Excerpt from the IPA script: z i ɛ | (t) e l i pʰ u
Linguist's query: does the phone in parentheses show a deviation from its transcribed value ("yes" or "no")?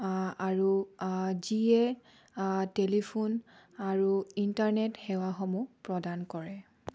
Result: no